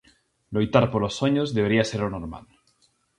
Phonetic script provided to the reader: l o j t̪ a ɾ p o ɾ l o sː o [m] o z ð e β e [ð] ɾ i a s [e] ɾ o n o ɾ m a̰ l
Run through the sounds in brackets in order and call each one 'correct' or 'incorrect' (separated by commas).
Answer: incorrect, incorrect, correct